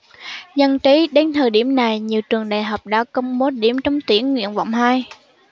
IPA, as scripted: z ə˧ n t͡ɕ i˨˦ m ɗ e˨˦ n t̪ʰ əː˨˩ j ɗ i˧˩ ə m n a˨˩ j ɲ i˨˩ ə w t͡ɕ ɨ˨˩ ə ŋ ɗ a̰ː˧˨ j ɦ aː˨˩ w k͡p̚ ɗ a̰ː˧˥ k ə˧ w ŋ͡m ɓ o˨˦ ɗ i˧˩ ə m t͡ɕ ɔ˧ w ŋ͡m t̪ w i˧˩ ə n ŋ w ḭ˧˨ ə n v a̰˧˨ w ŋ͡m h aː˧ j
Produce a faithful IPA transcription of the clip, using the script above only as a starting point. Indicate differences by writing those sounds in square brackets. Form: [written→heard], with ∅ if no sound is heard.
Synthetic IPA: z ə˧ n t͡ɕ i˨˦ [m→∅] ɗ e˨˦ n t̪ʰ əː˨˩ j ɗ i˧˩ ə m n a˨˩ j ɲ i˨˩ ə w t͡ɕ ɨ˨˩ ə ŋ ɗ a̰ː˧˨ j ɦ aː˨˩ w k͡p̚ ɗ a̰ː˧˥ k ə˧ w ŋ͡m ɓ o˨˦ ɗ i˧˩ ə m t͡ɕ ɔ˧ w ŋ͡m t̪ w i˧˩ ə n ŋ w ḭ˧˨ ə n v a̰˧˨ w ŋ͡m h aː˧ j